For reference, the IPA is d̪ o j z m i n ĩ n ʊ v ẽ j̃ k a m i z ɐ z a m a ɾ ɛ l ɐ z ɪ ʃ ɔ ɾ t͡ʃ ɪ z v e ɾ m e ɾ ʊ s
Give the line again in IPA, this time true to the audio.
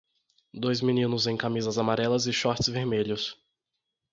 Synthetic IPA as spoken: d̪ o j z m i n ĩ n ʊ z ẽ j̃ k a m i z ɐ z a m a ɾ ɛ l ɐ z ɪ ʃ ɔ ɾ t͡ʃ ɪ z v e ɾ m e ʎ ʊ s